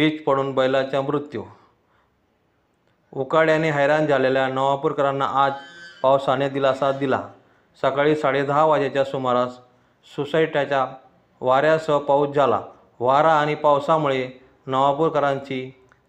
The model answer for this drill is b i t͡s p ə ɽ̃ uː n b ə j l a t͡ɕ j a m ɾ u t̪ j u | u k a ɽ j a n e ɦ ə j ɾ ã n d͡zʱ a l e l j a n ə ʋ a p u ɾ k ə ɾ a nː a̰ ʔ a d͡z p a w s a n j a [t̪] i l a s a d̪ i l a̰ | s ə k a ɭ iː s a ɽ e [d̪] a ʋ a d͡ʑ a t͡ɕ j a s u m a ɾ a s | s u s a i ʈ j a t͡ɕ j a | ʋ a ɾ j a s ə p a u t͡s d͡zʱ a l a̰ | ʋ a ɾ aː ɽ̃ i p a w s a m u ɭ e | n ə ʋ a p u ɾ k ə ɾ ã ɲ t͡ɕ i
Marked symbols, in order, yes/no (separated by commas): no, yes